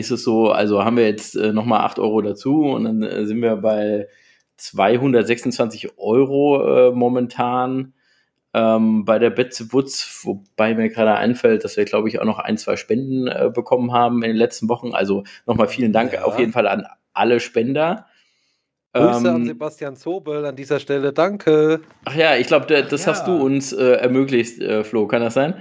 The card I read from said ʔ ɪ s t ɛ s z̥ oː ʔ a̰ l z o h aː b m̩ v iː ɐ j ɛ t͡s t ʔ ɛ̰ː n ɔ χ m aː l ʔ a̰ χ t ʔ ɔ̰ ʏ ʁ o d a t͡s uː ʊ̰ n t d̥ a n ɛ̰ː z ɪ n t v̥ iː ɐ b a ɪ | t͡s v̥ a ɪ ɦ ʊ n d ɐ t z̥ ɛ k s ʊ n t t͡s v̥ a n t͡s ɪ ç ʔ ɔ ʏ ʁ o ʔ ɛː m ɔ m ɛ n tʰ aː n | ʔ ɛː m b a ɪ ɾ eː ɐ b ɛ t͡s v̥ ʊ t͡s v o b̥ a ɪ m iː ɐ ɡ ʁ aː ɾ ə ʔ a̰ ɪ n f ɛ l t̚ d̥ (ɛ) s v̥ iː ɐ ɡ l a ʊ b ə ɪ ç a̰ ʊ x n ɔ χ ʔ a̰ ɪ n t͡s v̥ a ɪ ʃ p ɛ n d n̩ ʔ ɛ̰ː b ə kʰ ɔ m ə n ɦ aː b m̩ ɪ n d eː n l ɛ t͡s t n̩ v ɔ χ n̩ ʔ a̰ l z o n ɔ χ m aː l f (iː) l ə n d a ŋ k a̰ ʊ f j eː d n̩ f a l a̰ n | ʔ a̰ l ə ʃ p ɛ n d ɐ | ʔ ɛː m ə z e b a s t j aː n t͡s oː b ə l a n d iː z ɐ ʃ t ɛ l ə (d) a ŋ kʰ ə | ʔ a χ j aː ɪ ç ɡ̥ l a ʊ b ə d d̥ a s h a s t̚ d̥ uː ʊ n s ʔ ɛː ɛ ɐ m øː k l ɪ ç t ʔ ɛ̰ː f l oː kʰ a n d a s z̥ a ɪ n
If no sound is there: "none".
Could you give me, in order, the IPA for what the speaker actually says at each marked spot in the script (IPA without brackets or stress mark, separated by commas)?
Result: a, iː, d